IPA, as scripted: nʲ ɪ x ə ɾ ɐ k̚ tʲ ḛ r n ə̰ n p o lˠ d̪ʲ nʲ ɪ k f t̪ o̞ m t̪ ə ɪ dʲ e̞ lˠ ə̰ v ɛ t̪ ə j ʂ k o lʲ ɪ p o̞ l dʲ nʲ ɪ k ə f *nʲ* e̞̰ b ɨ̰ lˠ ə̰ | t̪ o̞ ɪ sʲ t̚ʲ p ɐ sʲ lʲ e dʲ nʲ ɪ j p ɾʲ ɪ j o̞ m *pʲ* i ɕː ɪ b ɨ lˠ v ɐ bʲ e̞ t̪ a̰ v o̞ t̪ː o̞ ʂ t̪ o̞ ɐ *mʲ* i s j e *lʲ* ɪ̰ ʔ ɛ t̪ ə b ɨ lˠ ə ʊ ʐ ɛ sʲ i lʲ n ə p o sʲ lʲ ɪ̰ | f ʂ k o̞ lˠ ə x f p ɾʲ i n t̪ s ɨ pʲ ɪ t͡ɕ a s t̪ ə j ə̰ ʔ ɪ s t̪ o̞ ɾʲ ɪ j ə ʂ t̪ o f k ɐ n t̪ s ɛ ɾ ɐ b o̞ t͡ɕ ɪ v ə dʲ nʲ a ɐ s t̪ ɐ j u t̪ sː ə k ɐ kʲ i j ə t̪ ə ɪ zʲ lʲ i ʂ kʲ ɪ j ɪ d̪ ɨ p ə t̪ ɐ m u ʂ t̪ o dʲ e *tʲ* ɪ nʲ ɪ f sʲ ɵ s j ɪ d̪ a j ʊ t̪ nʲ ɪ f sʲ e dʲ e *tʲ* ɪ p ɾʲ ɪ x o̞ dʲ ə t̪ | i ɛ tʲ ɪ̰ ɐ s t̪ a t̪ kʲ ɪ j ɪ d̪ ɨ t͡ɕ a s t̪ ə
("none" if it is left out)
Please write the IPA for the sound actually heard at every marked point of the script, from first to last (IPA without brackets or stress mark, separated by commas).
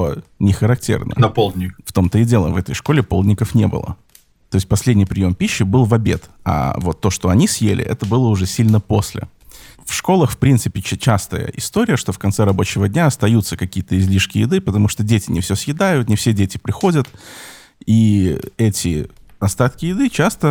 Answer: nʲ, pʲ, nʲ, lʲ, tʲ, tʲ